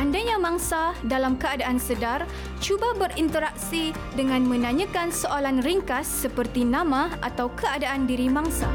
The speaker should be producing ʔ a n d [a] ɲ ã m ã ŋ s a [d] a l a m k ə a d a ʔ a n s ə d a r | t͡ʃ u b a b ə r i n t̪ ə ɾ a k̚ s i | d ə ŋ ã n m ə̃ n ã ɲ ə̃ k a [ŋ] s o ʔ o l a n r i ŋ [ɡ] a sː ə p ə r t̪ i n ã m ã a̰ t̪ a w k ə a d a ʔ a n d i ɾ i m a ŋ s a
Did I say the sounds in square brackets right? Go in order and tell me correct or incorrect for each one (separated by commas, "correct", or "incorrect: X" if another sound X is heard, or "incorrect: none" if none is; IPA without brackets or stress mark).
correct, correct, incorrect: n, incorrect: k